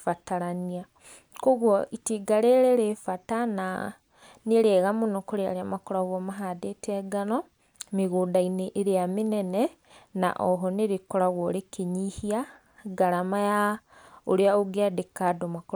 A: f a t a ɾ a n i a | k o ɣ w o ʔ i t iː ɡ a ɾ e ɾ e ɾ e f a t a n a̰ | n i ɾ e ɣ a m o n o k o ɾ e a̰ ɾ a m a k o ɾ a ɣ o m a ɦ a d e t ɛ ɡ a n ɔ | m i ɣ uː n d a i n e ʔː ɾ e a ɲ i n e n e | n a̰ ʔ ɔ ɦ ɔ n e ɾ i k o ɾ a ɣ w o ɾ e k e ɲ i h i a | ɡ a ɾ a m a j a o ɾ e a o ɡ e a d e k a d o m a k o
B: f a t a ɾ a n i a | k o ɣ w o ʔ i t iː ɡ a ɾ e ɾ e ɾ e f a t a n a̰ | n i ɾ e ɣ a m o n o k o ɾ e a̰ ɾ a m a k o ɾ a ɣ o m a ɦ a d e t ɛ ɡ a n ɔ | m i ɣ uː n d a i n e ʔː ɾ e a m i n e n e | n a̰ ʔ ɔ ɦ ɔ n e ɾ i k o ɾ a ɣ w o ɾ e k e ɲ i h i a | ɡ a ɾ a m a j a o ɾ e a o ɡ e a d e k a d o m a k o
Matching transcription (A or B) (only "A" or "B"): B